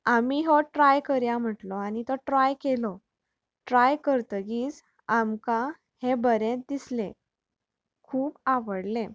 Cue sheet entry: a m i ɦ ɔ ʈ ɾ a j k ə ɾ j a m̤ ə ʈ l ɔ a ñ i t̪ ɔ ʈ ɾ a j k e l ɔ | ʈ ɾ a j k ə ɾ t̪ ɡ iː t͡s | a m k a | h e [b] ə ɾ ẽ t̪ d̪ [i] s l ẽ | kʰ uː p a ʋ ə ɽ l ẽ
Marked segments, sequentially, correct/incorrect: correct, correct

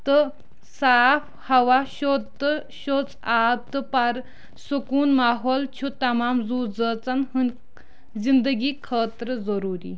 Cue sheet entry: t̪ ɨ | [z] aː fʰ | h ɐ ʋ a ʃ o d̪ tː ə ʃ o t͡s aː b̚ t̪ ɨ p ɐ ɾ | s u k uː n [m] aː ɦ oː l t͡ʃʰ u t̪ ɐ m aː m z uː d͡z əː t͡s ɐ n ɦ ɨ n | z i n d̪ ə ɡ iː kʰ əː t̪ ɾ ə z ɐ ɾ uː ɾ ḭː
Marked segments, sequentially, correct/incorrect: incorrect: s, correct

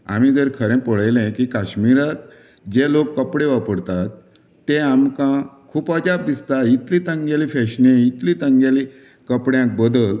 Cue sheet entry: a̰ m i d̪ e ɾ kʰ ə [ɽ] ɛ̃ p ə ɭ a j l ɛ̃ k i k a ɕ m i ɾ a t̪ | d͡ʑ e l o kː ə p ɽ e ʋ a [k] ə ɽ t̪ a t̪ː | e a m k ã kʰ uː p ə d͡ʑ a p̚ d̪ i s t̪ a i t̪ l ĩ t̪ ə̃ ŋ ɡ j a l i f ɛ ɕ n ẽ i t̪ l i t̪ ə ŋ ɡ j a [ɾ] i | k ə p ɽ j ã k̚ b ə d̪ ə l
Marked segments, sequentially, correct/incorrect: incorrect: ɾ, incorrect: p, incorrect: l

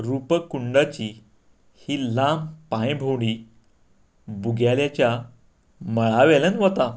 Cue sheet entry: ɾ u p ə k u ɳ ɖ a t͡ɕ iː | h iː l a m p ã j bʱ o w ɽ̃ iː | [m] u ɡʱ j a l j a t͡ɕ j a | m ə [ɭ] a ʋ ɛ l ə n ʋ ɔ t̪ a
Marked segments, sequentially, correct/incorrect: incorrect: b, correct

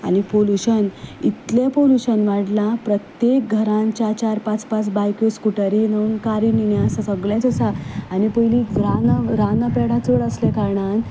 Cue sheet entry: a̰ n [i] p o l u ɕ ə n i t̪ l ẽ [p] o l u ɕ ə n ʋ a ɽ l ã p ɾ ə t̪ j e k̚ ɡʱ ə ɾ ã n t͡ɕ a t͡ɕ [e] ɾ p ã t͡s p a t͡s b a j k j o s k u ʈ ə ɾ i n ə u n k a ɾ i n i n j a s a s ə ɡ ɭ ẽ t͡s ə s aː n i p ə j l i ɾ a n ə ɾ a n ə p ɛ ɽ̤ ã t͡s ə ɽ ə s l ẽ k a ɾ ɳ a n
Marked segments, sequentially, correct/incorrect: correct, correct, incorrect: a

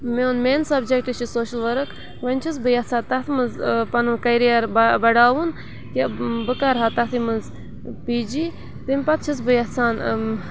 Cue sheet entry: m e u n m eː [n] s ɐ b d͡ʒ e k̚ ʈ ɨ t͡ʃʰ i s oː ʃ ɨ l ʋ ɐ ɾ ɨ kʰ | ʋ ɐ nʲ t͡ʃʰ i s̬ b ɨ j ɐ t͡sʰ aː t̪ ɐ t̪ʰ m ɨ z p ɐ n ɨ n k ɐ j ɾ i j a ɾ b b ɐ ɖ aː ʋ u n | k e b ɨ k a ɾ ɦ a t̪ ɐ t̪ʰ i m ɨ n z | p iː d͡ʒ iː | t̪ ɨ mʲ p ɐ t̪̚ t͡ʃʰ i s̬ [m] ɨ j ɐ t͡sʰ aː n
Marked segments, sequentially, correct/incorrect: correct, incorrect: b

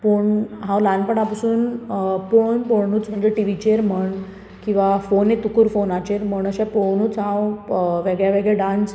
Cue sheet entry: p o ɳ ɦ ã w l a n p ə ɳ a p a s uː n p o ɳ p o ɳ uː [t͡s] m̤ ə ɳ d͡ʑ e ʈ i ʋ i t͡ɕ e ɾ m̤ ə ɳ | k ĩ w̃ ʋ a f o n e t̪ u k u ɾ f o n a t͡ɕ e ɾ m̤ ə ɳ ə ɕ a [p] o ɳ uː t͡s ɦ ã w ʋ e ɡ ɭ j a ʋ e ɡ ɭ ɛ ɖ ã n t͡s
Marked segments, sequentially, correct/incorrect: correct, correct

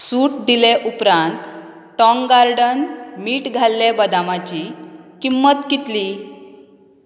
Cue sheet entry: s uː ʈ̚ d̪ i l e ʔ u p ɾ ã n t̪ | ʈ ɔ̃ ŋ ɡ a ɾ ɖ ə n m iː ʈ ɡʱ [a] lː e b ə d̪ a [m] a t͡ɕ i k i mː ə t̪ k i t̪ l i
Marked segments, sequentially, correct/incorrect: correct, correct

